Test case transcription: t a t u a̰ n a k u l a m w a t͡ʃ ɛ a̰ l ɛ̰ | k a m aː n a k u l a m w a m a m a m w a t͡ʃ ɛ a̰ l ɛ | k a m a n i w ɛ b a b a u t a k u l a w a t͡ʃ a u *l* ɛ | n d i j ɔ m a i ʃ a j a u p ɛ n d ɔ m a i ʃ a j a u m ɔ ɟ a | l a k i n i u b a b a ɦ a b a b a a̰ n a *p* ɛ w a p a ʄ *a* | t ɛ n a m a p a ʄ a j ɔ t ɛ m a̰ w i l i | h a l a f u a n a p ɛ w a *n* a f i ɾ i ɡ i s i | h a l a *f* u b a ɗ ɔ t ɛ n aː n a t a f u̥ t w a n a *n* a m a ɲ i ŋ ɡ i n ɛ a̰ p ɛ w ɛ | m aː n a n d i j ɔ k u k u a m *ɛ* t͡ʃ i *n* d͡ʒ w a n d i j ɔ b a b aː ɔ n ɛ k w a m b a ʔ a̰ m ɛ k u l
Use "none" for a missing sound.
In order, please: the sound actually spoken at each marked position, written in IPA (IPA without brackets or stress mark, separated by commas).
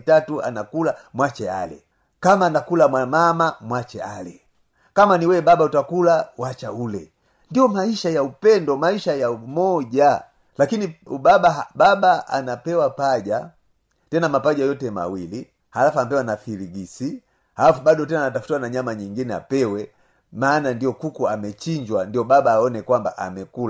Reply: l, p, a, n, f, ɲ, ɛ, ɲ